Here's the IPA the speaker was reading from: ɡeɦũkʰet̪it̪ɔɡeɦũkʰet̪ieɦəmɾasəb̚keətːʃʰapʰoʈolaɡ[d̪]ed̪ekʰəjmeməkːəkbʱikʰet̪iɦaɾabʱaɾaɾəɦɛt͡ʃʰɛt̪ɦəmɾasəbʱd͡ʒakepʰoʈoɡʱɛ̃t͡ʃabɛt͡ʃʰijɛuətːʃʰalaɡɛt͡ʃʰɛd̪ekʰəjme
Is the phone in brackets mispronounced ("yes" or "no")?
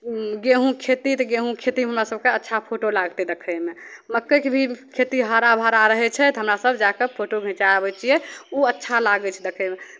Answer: yes